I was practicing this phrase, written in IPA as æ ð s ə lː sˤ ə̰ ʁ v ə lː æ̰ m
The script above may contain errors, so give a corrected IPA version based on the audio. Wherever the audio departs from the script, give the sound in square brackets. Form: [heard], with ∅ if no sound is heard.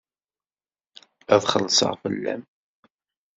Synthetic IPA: æ ð [χ] ə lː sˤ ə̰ ʁ [f] ə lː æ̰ m

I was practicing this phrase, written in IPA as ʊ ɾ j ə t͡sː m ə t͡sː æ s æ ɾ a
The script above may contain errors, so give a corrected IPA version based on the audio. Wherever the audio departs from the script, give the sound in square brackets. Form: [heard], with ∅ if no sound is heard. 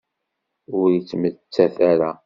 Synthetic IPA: ʊ ɾ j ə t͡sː m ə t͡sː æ [θ] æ ɾ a

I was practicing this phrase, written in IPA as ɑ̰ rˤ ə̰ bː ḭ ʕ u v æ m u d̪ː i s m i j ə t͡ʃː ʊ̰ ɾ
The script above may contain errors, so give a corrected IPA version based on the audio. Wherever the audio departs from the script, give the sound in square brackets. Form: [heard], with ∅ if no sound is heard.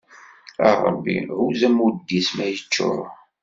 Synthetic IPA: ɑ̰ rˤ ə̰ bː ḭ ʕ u [z] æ m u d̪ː i s m [æ] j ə t͡ʃː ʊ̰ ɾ

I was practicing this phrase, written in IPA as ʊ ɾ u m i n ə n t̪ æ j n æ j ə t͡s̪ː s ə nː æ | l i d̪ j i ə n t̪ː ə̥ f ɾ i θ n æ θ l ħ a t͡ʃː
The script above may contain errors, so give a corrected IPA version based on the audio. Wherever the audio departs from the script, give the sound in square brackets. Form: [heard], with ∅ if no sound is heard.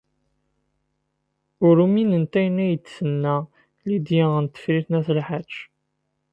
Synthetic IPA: ʊ ɾ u m i n ə n t̪ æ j n æ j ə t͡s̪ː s ə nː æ | l i d̪ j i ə n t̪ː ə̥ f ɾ i θ n æ θ l ħ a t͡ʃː

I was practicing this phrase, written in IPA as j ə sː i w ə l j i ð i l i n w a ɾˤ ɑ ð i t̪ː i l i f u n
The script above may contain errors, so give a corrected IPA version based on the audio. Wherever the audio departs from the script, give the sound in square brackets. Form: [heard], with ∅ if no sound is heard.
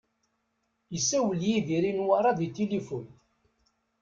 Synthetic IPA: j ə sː [æ] w ə l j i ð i [ɾ] i n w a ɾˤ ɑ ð i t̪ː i l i f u n

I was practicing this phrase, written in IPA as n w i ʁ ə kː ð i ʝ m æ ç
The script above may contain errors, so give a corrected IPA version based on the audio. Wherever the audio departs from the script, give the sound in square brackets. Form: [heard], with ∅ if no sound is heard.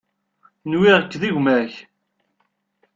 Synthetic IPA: n w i ʁ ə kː ð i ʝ m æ ç

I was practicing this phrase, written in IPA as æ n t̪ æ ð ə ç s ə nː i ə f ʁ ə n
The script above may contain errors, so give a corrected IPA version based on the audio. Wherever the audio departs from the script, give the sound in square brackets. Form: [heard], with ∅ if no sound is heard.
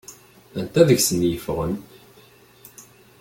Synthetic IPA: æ n t̪ æ ð ə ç s ə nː [j] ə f ʁ ə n

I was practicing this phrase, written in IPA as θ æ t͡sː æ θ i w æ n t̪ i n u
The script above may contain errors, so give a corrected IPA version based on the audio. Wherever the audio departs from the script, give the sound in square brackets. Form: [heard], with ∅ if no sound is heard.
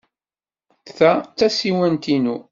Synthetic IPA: θ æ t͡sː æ [s] i w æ n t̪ i n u

